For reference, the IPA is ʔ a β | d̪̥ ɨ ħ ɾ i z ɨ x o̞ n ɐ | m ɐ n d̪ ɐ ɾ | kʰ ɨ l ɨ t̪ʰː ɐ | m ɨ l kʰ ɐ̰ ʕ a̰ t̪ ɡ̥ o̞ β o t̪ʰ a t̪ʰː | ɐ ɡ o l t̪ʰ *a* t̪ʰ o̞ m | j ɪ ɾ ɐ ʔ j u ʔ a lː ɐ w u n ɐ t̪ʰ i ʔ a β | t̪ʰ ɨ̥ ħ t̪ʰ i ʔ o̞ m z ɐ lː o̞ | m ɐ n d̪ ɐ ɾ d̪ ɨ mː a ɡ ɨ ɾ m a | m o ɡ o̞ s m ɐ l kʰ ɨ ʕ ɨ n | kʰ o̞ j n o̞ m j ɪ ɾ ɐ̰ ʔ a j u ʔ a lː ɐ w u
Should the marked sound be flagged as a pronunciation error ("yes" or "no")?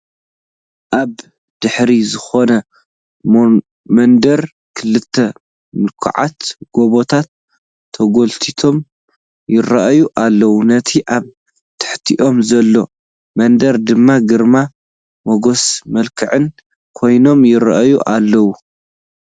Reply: yes